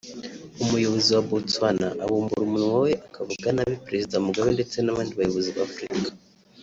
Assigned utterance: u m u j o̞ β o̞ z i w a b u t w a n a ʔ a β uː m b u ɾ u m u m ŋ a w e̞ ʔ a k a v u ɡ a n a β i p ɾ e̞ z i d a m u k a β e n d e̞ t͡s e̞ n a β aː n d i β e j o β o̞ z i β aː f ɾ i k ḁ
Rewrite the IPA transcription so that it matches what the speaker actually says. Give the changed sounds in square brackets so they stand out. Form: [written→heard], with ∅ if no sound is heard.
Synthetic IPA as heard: u m u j o̞ β o̞ z i w a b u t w a n a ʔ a β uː m b u ɾ u m u [m→n] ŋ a w e̞ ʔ a k a v u ɡ a n a β i p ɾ e̞ z i d a m u [k→ɡ] a β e n d e̞ t͡s e̞ n a β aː n d i β [e→a] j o β o̞ z i β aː f ɾ i k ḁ